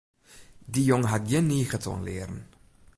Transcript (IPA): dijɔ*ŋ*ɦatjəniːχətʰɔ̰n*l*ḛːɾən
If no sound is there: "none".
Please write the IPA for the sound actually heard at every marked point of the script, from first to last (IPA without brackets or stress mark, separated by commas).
ŋ, l